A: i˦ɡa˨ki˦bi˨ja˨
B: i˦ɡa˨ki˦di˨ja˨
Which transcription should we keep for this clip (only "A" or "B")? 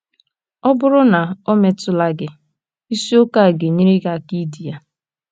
B